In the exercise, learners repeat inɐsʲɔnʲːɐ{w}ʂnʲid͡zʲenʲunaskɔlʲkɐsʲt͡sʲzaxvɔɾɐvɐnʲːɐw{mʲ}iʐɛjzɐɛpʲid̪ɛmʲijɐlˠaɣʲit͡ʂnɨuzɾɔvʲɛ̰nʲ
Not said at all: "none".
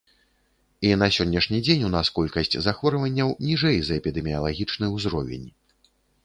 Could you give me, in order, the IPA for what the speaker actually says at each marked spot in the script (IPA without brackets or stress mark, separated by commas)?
none, nʲ